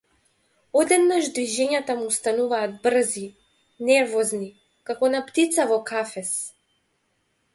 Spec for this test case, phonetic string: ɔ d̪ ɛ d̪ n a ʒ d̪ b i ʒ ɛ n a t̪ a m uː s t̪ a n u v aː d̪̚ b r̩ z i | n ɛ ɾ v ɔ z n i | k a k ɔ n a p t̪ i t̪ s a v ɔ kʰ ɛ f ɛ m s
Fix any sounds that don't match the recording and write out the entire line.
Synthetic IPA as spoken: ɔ d̪ ɛ d̪ n a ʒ d̪ v i ʒ ɛ ɲ a t̪ a m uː s t̪ a n u v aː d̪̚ b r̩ z i | n ɛ ɾ v ɔ z n i | k a k ɔ n a p t̪ i t̪ s a v ɔ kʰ a f ɛ s

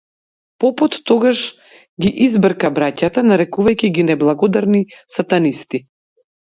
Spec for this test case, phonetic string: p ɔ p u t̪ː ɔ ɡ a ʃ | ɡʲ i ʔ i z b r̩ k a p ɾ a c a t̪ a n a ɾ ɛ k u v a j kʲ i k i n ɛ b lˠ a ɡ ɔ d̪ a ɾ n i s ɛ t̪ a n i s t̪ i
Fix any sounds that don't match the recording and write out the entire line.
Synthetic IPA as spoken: p ɔ p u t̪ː ɔ ɡ a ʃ | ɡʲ i ʔ i z b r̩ k a b ɾ a c a t̪ a n a ɾ ɛ k u v a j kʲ i ɡ i n ɛ b lˠ a ɡ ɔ d̪ a ɾ n i s a t̪ a n i s t̪ i

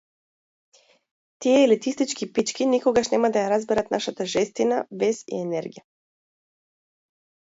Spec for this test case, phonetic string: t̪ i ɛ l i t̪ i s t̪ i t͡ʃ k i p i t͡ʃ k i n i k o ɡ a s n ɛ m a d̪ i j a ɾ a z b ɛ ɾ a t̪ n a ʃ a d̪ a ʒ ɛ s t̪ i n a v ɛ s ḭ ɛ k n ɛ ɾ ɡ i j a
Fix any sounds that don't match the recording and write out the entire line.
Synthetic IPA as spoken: t̪ i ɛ l i t̪ i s t̪ i t͡ʃ k i p i t͡ʃ k i n i k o ɡ a ʃ n ɛ m a d̪ a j a ɾ a z b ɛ ɾ a t̪ n a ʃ a t̪ a ʒ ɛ s t̪ i n a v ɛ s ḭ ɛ n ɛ ɾ ɡ i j a

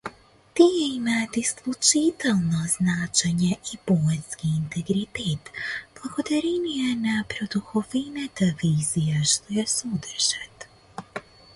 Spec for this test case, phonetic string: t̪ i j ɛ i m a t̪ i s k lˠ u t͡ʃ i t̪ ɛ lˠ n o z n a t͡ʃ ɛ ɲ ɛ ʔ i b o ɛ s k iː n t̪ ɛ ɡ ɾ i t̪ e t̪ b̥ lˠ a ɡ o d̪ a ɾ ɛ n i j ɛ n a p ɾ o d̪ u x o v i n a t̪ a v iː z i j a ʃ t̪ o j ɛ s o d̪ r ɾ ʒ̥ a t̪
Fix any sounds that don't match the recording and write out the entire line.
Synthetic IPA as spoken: t̪ i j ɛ i m a t̪ i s k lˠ u t͡ʃ i t̪ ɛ lˠ n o z n a t͡ʃ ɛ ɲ ɛ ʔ i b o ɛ s k iː n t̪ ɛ ɡ ɾ i t̪ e t̪ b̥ lˠ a ɡ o d̪ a ɾ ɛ n i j ɛ n a p ɾ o d̪ u x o v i n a t̪ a v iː z i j a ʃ t̪ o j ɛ s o d̪ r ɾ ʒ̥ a t̪

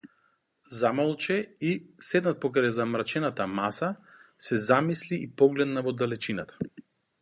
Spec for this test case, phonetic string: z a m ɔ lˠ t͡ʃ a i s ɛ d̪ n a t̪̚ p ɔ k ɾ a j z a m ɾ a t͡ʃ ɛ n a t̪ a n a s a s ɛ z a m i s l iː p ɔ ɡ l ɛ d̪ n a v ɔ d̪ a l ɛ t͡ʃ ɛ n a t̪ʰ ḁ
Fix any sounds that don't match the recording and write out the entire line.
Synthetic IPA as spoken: z a m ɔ lˠ t͡ʃ ɛ i s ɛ d̪ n a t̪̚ p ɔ k ɾ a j z a m ɾ a t͡ʃ ɛ n a t̪ a m a s a s ɛ z a m i s l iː p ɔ ɡ l ɛ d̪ n a v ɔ d̪ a l ɛ t͡ʃ i n a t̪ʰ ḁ

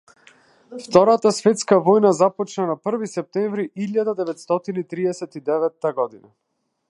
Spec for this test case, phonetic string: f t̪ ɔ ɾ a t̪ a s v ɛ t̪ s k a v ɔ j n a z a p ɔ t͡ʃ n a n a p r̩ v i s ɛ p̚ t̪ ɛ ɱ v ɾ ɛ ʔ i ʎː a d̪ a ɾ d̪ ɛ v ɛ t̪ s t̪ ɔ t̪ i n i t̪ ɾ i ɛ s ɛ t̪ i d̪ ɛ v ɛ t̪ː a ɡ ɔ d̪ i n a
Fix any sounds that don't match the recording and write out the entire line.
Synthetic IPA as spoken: f t̪ ɔ ɾ a t̪ a s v ɛ t̪ s k a v ɔ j n a z a p ɔ t͡ʃ n a n a p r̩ v i s ɛ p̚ t̪ ɛ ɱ v ɾ i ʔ i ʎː a d̪ a d̪ ɛ v ɛ t̪ s t̪ ɔ t̪ i n i t̪ ɾ i ɛ s ɛ t̪ i d̪ ɛ v ɛ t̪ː a ɡ ɔ d̪ i n a

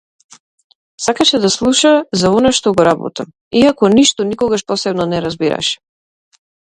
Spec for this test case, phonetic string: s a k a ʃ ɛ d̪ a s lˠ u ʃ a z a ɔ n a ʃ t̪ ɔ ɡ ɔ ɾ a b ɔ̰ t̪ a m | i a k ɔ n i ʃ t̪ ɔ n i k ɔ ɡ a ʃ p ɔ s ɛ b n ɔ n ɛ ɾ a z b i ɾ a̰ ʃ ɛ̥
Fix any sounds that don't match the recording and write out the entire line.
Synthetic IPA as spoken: s a k a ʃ ɛ d̪ a s lˠ u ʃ a z a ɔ n a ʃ t̪ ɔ ɡ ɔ ɾ a b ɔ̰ t̪ a m | i a k ɔ n i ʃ t̪ ɔ n i k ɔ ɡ a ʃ p ɔ s ɛ b n ɔ n ɛ ɾ a z b i ɾ a̰ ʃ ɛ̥

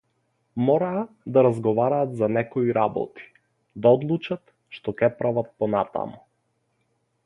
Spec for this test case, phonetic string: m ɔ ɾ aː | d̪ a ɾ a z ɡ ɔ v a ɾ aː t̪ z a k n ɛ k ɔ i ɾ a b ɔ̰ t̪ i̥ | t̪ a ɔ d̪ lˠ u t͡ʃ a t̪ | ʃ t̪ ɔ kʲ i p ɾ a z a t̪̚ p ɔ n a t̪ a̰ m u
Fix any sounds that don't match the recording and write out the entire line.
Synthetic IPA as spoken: m ɔ ɾ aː | d̪ a ɾ a z ɡ ɔ v a ɾ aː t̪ z a n ɛ k ɔ i ɾ a b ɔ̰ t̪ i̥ | d̪ a ɔ d̪ lˠ u t͡ʃ a t̪ | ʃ t̪ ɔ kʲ ɛ p ɾ a v a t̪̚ p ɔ n a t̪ a̰ m u

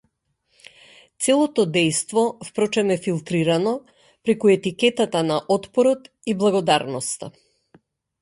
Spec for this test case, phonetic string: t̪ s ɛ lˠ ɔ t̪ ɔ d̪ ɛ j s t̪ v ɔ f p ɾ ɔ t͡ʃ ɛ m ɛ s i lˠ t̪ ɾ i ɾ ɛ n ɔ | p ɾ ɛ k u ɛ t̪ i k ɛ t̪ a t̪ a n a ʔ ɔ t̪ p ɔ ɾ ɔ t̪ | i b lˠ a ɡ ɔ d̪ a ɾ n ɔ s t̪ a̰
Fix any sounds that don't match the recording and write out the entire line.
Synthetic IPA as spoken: t̪ s ɛ lˠ ɔ t̪ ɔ d̪ ɛ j s t̪ v ɔ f p ɾ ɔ t͡ʃ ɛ m ɛ f i lˠ t̪ ɾ i ɾ a n ɔ | p ɾ ɛ k u ɛ t̪ i k ɛ t̪ a t̪ a n a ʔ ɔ t̪ p ɔ ɾ ɔ t̪ | i b lˠ a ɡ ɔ d̪ a ɾ n ɔ s t̪ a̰

